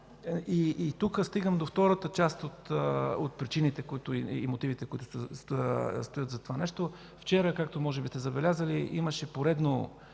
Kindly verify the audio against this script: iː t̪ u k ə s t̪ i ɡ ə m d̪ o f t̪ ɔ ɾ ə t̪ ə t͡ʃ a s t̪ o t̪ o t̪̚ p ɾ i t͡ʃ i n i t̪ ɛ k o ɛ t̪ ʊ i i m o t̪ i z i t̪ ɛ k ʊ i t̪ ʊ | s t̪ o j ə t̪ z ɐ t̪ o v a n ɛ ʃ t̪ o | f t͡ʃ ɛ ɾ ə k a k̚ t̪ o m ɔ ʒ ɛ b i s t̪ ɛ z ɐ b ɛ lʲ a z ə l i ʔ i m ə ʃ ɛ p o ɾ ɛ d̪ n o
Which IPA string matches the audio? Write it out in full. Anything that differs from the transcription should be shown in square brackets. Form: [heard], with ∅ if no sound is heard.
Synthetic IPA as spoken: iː t̪ u k ə s t̪ i ɡ ə m d̪ o f t̪ ɔ ɾ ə t̪ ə t͡ʃ a s t̪ o t̪ o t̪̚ p ɾ i t͡ʃ i n i t̪ ɛ k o [i] t̪ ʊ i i m o t̪ i [v] i t̪ ɛ k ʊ i t̪ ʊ | s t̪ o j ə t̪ z ɐ t̪ o v a n ɛ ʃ t̪ o | f t͡ʃ ɛ ɾ ə k a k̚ t̪ o m ɔ ʒ ɛ b i s t̪ ɛ z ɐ b ɛ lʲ a z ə l i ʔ i m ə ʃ ɛ p o ɾ ɛ d̪ n o